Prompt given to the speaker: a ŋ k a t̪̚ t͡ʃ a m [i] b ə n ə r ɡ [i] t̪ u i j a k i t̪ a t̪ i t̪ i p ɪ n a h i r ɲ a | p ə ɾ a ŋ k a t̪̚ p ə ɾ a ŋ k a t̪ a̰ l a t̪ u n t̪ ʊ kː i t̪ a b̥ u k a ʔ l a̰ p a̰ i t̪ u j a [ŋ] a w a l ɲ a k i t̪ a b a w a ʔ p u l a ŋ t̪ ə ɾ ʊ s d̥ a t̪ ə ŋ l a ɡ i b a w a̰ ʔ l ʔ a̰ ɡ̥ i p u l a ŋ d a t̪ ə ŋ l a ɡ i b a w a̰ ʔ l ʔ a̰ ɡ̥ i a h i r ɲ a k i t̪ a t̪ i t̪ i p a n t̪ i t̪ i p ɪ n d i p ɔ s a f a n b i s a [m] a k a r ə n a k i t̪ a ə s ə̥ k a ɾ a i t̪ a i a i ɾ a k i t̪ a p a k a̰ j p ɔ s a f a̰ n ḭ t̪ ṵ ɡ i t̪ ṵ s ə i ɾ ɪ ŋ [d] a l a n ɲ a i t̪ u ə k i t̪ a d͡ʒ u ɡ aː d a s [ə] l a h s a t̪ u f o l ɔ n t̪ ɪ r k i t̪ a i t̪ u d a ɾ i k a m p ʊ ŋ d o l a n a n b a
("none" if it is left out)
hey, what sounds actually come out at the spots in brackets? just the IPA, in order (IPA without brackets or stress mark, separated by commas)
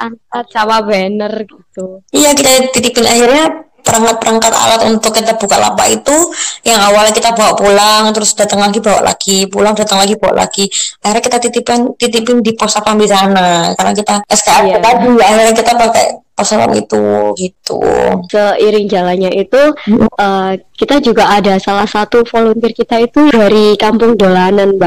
a, i, ŋ, n, d͡ʒ, a